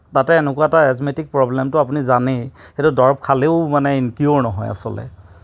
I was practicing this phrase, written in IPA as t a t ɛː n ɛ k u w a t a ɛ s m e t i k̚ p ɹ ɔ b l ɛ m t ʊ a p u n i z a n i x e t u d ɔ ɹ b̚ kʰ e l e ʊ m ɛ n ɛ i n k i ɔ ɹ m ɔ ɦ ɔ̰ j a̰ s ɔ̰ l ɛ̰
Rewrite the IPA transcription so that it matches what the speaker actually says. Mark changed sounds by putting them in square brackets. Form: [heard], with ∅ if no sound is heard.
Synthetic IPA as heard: t a t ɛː n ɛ k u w a t a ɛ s m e t i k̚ p ɹ ɔ b l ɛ m t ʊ a p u n i z a n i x e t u d ɔ ɹ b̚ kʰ [a] l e ʊ m [a] n ɛ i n k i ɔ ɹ [n] ɔ ɦ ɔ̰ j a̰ s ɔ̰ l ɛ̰